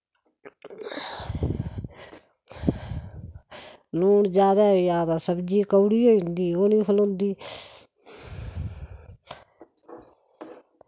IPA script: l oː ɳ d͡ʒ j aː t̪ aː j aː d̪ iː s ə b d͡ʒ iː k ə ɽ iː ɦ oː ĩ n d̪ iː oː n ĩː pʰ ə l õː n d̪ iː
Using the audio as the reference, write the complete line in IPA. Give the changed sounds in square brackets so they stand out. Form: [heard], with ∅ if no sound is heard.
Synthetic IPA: l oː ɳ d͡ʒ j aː [d̪] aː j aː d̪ [aː] s ə b d͡ʒ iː k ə ɽ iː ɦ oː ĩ n d̪ iː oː n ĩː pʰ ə l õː n d̪ iː